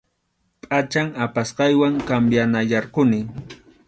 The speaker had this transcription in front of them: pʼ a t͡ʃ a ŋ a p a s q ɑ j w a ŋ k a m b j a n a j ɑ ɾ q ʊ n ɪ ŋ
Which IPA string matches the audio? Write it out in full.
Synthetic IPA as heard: pʼ a t͡ʃ a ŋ a p a s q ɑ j w a ŋ k a m b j a n a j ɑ ɾ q ʊ n ɪ ŋ